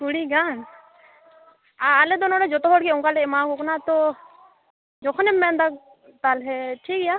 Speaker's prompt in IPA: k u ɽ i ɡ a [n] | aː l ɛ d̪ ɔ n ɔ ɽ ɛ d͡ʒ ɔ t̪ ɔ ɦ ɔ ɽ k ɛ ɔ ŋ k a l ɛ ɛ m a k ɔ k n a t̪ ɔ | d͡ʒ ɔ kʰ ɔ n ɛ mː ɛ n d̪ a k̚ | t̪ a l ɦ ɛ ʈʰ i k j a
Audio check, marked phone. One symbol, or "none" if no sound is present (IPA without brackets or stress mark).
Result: n